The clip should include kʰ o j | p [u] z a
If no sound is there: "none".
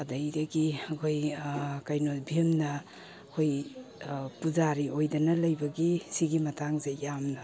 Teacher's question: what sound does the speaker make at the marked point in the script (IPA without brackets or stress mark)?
u